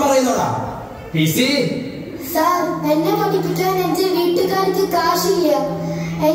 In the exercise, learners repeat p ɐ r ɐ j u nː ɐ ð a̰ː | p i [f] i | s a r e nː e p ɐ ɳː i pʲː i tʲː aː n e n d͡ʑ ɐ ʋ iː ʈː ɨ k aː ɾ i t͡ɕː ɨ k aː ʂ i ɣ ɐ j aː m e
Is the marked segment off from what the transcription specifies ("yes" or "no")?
yes